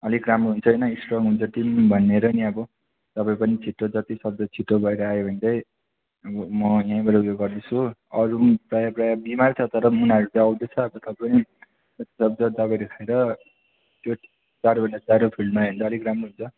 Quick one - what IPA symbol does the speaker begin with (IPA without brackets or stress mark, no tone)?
ʌ